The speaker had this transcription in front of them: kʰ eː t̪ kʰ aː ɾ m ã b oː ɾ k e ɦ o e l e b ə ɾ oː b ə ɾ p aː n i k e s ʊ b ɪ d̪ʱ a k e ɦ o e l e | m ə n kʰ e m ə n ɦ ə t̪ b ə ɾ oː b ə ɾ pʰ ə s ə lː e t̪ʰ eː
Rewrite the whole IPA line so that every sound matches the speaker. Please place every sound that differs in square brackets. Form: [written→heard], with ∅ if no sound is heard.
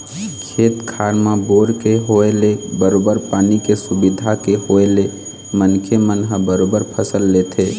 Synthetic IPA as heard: kʰ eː t̪ kʰ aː ɾ m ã b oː ɾ k e ɦ o e l e b ə ɾ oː b ə ɾ p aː n i k e s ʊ b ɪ d̪ʱ a k e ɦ o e l e | m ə n kʰ e m ə n ɦ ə [t̪→∅] b ə ɾ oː b ə ɾ pʰ ə s ə lː e t̪ʰ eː

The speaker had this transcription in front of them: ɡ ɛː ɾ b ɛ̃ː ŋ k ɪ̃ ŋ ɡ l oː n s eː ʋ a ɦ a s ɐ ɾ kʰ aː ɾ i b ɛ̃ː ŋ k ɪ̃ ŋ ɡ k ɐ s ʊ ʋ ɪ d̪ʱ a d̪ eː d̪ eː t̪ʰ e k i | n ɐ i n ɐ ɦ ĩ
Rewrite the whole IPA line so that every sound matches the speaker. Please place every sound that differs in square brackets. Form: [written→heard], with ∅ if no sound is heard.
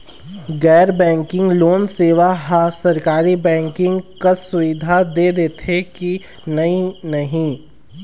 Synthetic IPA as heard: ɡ ɛː ɾ b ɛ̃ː ŋ k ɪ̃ ŋ ɡ l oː n s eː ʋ a ɦ a s ɐ ɾ [kʰ→k] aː ɾ i b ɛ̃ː ŋ k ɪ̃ ŋ ɡ k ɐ s ʊ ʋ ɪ d̪ʱ a d̪ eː d̪ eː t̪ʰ e k i | n ɐ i n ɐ ɦ ĩ

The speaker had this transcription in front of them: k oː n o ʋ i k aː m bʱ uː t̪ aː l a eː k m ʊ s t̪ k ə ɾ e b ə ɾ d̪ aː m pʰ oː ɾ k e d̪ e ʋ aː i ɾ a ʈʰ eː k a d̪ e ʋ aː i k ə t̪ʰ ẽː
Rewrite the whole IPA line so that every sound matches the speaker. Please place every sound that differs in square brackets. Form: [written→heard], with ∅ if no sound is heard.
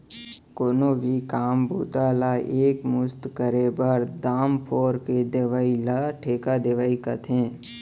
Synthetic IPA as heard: k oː n o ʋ i k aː m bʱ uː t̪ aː l a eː k m ʊ s t̪ k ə ɾ e b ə ɾ d̪ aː m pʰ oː ɾ k e d̪ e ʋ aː i [ɾ→l] a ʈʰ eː k a d̪ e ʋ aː i k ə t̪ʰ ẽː

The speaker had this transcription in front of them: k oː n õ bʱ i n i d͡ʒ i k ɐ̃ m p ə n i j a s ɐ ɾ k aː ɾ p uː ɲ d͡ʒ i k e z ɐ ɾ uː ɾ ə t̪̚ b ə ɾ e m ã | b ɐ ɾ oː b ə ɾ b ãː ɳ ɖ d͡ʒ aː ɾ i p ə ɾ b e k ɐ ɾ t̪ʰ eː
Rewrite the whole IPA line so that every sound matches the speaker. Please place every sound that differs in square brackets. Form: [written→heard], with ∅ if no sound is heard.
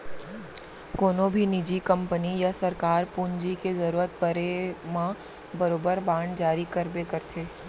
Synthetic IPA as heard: k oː n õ bʱ i n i d͡ʒ i k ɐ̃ m p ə n i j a s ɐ ɾ k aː ɾ p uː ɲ d͡ʒ i k e z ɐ ɾ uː ɾ ə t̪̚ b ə ɾ e m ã | b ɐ ɾ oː b ə ɾ b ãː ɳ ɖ d͡ʒ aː ɾ i [p→k] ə ɾ b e k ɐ ɾ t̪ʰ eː

